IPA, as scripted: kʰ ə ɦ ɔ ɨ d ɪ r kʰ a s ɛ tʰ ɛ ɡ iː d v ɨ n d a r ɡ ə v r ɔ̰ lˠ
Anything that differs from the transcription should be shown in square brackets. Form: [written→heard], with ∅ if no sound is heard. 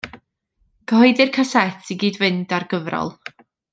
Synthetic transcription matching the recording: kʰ ə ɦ ɔ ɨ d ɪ r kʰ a s ɛ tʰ [ɛ→i] ɡ iː d v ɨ n d a r ɡ ə v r ɔ̰ lˠ

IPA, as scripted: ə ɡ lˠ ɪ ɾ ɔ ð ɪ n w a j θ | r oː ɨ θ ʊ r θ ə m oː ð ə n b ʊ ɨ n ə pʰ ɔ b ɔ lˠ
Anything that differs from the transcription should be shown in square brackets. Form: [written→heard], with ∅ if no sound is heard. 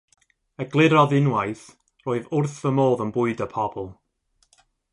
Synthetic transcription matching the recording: ə ɡ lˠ ɪ ɾ ɔ ð ɪ n w a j θ | r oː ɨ [θ→ð] ʊ r θ ə m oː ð ə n b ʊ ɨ [n→d] ə pʰ ɔ b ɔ lˠ

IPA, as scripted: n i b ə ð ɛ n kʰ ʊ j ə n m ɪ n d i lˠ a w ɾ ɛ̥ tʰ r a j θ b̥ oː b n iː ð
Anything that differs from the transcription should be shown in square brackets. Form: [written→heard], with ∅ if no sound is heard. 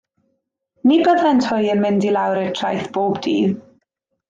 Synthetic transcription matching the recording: n i b ə ð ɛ n [kʰ→tʰ] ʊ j ə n m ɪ n d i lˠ a w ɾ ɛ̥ tʰ r a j θ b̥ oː b [n→d] iː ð

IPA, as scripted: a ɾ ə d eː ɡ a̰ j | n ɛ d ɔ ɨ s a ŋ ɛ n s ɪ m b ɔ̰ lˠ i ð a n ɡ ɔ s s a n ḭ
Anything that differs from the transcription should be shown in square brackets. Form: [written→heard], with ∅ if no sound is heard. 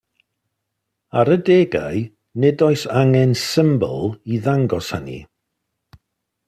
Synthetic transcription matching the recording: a ɾ ə d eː ɡ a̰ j | n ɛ d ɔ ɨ s a ŋ ɛ n s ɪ m b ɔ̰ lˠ i ð a [n→ŋ] ɡ ɔ s [s→h] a n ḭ

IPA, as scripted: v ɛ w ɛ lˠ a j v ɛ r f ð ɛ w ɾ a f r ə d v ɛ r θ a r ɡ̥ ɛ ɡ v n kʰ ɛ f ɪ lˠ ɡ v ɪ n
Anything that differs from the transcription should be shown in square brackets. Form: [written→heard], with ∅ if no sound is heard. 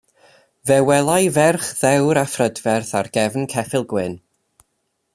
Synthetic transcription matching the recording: v ɛ w ɛ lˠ a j v ɛ r [f→χ] ð ɛ w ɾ a f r ə d v ɛ r θ a r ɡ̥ ɛ [ɡ→∅] v n kʰ ɛ f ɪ lˠ ɡ [v→w] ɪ n

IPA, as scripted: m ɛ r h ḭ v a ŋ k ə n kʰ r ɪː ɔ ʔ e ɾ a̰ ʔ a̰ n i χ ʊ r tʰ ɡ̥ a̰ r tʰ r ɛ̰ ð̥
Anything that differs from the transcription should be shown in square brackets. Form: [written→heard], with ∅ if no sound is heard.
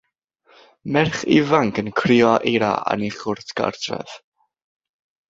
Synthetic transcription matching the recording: m ɛ r [h→χ] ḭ v a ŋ k ə n kʰ r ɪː ɔ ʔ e ɾ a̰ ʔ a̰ n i χ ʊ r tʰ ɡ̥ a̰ r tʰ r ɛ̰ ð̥

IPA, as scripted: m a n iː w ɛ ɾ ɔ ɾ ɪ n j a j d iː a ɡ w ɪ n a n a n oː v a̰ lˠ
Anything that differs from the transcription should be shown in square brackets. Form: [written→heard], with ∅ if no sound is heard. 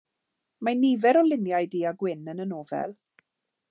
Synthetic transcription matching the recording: m a n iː [w→v] ɛ ɾ ɔ [ɾ→l] ɪ n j a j d iː a ɡ w ɪ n [a→ə] n [a→ə] n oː v [a̰→ɛ̰] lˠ

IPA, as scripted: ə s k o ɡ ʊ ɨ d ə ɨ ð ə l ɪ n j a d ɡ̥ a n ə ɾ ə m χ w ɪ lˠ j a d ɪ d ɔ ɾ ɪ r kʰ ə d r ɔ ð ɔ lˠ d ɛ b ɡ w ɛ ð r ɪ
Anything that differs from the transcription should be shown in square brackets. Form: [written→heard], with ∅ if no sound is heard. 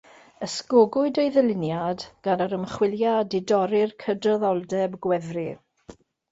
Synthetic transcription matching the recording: ə s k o ɡ ʊ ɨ d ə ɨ ð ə l ɪ n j a d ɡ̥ a n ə ɾ ə m χ w ɪ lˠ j a d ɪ d ɔ ɾ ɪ r kʰ ə d r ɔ ð ɔ lˠ d ɛ b ɡ w ɛ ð r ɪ

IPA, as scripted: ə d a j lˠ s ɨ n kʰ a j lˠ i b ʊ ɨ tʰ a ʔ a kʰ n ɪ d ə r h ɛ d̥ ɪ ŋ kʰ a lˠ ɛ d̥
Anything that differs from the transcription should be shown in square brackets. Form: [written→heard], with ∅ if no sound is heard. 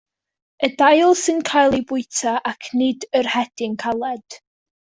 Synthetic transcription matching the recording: ə d a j lˠ s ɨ n kʰ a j lˠ i b ʊ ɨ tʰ a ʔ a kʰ n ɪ d ə r h ɛ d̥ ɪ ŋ kʰ a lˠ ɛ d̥

